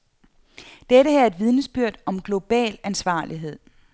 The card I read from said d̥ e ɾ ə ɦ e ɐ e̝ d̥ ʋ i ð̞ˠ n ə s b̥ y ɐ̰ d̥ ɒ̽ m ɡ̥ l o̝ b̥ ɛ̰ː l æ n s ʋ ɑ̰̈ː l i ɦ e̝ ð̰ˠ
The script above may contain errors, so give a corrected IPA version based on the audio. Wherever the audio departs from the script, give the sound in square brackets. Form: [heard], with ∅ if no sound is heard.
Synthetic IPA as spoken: d̥ e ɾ ə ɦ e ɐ e̝ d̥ ʋ i ð̞ˠ n ə s b̥ y ɐ̰ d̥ ɒ̽ m ɡ̥ l o̝ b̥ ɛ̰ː l æ n s ʋ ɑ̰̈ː l i ɦ e̝ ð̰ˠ